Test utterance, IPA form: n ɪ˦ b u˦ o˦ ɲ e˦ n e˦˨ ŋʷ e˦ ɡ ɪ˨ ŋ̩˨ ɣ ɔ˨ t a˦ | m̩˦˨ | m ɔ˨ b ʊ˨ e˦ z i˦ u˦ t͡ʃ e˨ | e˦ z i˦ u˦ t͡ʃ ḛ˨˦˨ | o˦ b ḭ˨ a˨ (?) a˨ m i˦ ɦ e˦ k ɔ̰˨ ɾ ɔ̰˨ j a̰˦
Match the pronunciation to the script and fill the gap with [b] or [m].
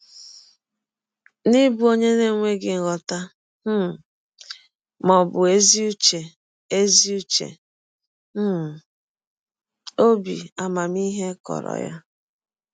m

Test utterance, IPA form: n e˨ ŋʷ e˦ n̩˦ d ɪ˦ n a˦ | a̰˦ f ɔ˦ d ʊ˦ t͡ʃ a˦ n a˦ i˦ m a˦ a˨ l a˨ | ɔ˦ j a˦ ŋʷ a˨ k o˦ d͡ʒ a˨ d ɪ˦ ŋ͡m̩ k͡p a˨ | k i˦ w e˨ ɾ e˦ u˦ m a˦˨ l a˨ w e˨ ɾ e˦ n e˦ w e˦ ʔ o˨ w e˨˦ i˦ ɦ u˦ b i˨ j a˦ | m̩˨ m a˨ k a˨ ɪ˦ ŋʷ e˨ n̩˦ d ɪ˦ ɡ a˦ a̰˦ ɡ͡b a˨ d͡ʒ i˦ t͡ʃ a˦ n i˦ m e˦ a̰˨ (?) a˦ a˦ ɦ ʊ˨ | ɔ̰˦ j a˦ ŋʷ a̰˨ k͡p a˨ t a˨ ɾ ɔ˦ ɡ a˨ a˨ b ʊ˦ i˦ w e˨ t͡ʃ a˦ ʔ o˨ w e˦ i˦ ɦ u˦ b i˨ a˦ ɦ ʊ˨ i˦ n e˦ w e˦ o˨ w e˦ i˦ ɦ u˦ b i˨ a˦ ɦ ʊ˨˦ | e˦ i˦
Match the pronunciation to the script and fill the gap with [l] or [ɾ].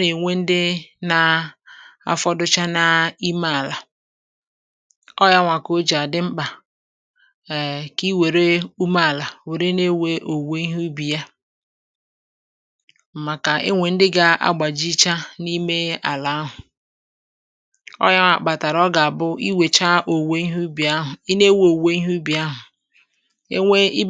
l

